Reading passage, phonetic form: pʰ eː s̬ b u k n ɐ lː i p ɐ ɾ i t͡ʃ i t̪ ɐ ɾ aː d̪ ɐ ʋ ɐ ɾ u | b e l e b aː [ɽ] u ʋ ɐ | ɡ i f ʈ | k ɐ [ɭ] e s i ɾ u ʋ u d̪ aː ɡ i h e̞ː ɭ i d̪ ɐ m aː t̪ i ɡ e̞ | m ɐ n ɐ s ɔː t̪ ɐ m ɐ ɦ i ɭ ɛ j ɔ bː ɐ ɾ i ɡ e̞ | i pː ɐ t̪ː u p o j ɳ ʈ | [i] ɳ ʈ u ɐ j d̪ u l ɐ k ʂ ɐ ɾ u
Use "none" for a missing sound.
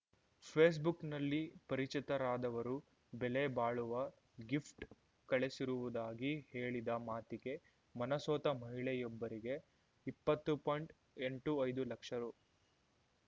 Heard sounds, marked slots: ɭ, ɭ, e

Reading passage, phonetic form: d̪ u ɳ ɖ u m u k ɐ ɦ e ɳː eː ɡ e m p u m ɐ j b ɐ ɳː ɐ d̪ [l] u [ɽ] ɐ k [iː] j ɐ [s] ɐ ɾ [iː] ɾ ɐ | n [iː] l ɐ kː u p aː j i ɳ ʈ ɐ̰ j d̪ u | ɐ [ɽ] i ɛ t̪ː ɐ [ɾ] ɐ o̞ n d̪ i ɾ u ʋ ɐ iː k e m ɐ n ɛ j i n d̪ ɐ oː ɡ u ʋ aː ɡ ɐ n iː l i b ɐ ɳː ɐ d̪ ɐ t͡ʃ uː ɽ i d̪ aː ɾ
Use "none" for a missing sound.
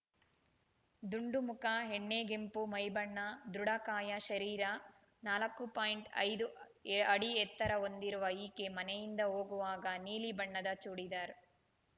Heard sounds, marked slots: ɾ, ɽ, aː, ʃ, iː, aː, ɽ, ɾ

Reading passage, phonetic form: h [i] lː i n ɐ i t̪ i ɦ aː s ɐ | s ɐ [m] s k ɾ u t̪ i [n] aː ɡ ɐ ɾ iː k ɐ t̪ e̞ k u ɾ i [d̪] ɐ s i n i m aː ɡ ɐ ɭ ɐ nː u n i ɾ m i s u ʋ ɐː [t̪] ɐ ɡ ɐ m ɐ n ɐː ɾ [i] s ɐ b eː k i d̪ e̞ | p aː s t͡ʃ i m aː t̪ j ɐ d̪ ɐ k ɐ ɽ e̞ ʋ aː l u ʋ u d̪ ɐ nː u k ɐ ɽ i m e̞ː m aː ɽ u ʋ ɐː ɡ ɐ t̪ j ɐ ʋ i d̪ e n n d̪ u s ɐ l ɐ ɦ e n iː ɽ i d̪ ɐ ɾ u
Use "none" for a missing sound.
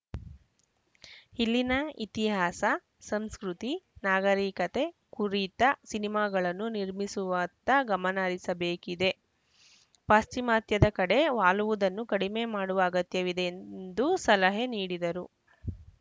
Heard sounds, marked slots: i, m, n, t̪, t̪, i

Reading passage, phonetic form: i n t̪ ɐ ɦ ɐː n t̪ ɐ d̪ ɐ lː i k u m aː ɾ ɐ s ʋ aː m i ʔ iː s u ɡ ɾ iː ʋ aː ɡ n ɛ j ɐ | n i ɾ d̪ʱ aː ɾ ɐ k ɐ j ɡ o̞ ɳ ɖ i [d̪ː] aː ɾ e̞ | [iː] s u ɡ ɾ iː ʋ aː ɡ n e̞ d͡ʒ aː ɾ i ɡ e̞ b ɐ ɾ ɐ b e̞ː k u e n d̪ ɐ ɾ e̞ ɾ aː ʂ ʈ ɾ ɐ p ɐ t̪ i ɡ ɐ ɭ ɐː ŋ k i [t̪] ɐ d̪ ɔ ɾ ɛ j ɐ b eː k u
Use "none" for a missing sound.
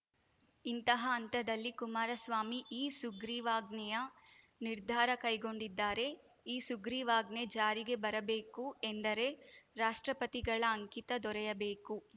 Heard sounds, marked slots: d̪ː, iː, t̪

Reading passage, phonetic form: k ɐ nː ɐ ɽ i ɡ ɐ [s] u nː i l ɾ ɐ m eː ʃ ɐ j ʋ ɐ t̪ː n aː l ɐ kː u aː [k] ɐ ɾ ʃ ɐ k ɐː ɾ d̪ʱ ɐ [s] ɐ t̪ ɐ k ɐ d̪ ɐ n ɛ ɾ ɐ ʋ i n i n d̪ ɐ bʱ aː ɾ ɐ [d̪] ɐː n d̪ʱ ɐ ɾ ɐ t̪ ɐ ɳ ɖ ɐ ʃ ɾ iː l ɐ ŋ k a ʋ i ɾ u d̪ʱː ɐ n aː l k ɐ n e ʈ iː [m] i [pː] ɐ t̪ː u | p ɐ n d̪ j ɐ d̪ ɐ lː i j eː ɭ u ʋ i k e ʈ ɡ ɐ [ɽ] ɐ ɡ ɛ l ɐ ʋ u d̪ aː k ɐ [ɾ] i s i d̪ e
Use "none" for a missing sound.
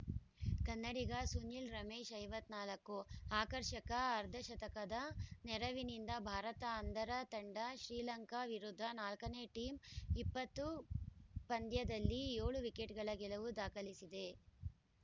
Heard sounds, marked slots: s, k, ʃ, t̪, m, pː, ɭ, l

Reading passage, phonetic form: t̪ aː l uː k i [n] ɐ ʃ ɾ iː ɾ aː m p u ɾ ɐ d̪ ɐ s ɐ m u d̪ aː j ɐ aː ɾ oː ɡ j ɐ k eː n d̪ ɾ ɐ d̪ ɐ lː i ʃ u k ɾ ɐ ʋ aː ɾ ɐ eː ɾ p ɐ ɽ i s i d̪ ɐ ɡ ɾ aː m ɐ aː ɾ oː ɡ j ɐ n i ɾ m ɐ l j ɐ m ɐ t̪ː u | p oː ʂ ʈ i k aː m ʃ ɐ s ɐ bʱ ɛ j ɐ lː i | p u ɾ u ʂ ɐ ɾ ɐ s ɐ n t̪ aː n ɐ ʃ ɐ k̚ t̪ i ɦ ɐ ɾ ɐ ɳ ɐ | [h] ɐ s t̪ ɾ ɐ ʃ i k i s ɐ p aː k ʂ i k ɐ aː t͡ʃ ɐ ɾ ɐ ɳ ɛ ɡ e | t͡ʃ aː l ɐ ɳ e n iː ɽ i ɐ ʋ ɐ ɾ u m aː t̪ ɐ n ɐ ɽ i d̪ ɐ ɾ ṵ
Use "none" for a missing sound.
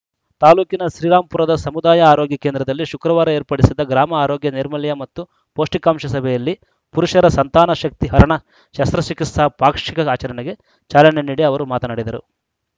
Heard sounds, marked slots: n, ʃ

